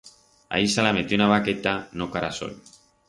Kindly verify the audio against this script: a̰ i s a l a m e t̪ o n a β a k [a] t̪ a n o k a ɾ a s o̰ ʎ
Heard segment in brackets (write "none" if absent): e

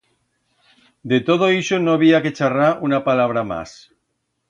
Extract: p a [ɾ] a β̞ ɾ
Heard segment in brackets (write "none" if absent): l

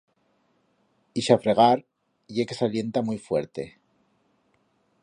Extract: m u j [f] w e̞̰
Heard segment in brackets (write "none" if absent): f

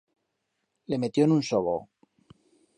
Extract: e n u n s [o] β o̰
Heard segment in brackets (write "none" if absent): o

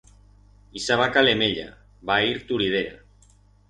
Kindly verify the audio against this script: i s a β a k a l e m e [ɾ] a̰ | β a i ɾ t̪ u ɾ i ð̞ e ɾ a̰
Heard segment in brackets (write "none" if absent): ʎ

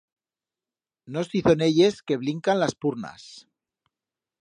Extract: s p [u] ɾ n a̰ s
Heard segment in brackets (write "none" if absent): u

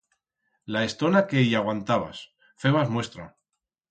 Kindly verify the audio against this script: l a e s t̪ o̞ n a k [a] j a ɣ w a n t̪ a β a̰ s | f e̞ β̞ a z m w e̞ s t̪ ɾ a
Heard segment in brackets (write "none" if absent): e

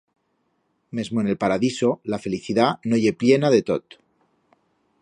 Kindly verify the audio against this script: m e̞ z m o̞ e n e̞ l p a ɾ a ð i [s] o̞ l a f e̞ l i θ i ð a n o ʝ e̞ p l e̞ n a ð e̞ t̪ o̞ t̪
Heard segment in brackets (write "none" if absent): s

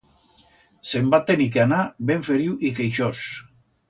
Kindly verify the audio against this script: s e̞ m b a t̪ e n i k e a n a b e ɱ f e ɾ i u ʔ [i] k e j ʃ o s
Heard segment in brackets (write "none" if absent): i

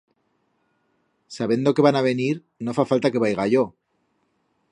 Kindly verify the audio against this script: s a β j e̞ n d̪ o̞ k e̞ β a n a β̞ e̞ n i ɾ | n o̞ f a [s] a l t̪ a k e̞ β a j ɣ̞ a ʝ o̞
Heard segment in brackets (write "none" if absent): f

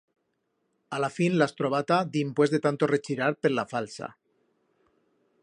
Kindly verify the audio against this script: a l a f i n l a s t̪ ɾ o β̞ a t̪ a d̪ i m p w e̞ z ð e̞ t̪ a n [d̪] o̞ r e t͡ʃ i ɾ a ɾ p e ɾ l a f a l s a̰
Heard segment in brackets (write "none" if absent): t̪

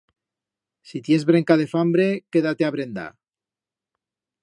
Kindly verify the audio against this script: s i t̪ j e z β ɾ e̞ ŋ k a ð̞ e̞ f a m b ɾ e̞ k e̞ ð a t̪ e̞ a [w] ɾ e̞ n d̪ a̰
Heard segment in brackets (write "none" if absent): β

